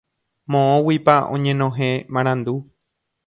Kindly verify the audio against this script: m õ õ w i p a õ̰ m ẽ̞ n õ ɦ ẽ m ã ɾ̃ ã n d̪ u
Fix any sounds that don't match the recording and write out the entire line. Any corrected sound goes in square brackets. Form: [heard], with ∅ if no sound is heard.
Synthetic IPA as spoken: m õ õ w i p a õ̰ [ɲ] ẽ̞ n õ ɦ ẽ m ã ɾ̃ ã n d̪ u